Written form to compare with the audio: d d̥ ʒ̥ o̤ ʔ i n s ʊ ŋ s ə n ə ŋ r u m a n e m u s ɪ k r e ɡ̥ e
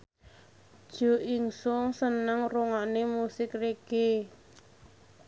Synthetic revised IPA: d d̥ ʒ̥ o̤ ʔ i ŋ s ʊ ŋ s ə n ə ŋ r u ŋ a n e m u s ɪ k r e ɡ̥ e